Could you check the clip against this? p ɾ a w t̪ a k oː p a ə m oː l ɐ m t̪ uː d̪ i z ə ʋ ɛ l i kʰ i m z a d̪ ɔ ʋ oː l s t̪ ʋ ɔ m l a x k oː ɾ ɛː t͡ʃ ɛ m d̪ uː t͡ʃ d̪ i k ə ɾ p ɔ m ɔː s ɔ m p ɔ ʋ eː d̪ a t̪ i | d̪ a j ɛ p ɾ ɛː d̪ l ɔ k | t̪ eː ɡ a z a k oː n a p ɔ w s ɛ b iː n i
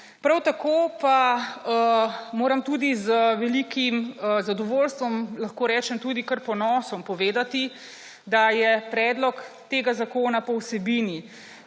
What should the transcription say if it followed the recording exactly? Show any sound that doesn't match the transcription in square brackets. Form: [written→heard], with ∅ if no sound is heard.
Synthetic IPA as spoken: p ɾ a w t̪ a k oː p a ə m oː [l→ɾ] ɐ m t̪ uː d̪ i z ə ʋ ɛ l i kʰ i m z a d̪ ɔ ʋ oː l s t̪ ʋ ɔ m l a x k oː ɾ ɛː t͡ʃ ɛ m [d̪→t̪] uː [t͡ʃ→∅] d̪ i k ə ɾ p ɔ [m→n] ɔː s ɔ m p ɔ ʋ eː d̪ a t̪ i | d̪ a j ɛ p ɾ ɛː d̪ l ɔ k | t̪ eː ɡ a z a k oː n a p ɔ w s ɛ b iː n i